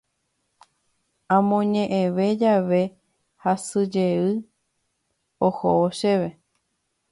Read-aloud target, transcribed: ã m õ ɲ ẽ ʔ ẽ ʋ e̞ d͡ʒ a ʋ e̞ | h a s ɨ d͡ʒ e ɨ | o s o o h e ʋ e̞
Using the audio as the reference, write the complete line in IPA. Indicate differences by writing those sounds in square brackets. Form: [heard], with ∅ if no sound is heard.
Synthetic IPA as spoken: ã m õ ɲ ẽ ʔ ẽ ʋ e̞ d͡ʒ a ʋ e̞ | h a s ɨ d͡ʒ e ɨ | o [h] o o [ʃ] e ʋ e̞